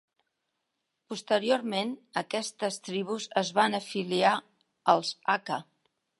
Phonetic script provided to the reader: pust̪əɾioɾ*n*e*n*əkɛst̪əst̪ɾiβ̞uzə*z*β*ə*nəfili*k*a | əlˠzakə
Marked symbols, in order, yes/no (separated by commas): no, yes, yes, no, no